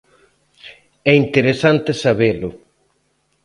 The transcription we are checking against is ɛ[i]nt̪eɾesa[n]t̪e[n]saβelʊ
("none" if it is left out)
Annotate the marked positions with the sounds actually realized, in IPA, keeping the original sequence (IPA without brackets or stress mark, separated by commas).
i, n, none